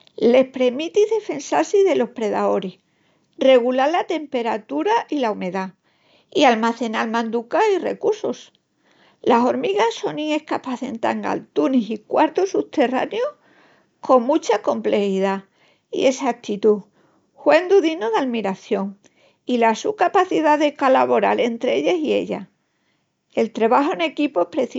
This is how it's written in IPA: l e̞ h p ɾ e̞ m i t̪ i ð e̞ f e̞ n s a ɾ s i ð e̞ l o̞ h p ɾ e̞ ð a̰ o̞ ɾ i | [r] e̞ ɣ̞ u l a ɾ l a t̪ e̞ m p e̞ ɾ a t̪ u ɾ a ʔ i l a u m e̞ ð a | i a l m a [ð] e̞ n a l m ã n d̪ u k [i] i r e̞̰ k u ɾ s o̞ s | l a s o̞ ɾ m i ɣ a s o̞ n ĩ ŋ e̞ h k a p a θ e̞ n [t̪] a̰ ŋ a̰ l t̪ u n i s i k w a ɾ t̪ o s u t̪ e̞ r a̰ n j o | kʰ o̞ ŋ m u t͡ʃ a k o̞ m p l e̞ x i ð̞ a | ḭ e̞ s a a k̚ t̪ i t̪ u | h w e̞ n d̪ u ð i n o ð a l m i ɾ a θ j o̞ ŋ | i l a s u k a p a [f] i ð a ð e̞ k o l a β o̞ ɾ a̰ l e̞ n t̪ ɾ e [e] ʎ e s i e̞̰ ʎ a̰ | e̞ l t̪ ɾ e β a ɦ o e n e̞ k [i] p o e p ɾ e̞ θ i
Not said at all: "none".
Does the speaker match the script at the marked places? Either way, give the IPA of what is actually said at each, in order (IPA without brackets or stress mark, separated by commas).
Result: r, θ, a, t̪, θ, e, i